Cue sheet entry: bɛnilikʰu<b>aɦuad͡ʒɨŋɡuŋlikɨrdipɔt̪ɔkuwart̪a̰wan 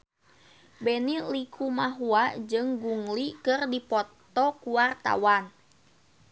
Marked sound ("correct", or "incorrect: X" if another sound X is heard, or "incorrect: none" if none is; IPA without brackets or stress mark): incorrect: m